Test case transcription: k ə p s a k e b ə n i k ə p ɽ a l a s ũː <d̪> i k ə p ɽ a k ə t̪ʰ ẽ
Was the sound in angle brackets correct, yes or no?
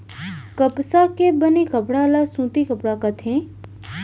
no